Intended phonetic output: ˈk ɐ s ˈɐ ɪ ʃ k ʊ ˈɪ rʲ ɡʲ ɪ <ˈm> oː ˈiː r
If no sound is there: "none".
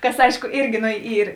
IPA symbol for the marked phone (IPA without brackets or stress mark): n